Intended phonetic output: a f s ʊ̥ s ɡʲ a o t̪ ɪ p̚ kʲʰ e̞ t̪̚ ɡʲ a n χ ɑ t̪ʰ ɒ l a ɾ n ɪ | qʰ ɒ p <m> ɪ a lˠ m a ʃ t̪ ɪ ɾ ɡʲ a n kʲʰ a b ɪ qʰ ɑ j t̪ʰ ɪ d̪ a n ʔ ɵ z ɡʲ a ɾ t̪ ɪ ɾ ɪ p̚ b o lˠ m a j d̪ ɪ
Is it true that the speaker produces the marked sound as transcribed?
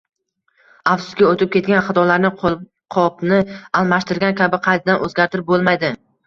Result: no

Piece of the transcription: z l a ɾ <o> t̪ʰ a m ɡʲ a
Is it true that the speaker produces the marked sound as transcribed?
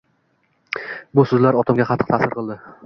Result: no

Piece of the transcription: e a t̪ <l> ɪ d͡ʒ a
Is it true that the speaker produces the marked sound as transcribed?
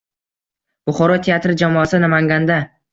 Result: no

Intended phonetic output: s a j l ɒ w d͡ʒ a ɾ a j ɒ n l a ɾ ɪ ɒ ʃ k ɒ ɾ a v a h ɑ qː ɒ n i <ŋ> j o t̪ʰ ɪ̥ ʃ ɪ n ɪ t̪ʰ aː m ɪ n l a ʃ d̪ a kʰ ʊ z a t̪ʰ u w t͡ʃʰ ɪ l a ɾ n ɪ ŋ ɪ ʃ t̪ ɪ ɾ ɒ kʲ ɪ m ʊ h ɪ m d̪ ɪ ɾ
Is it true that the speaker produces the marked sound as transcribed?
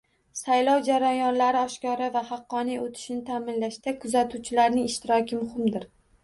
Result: no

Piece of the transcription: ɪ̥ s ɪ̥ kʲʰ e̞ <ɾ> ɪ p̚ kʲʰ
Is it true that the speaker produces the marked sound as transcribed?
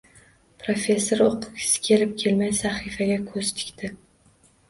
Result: no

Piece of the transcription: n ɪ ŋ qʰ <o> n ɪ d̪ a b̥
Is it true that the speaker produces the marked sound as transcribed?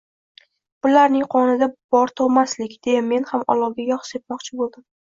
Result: no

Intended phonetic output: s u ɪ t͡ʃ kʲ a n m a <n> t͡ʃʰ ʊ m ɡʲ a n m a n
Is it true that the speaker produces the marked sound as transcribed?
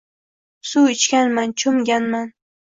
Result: yes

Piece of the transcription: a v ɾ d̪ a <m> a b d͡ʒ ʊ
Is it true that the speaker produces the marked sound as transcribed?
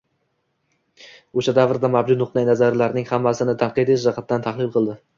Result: yes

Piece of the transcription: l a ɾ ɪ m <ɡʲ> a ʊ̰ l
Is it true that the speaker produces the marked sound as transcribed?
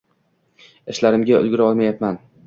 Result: yes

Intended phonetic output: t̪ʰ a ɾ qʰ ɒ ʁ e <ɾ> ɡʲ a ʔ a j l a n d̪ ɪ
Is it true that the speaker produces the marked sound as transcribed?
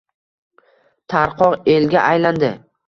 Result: no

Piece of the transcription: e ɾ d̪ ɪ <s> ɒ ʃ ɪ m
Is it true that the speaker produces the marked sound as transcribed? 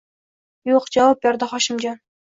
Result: no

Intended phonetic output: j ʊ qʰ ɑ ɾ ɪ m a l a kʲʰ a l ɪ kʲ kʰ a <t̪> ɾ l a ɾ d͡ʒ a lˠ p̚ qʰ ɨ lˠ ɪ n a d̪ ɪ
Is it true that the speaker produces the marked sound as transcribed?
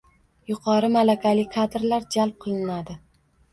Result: no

